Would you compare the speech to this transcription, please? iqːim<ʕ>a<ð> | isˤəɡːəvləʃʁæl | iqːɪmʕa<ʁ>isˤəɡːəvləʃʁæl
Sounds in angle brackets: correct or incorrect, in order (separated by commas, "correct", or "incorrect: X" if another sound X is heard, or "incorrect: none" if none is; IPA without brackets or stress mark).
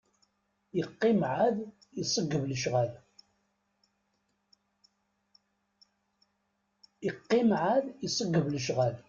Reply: correct, correct, incorrect: ð